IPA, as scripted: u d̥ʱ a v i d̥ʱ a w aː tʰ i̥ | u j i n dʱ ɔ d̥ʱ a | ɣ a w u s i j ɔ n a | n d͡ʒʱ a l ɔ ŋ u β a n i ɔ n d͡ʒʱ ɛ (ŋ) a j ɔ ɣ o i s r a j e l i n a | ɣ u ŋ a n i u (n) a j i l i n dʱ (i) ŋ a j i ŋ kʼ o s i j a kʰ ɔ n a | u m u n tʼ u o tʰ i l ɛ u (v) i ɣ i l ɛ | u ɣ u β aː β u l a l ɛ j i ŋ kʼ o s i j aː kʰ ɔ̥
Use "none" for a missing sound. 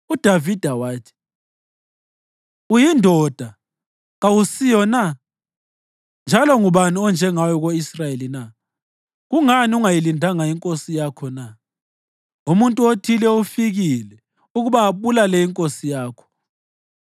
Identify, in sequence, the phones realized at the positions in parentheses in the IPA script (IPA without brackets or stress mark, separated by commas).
ŋ, ŋ, a, f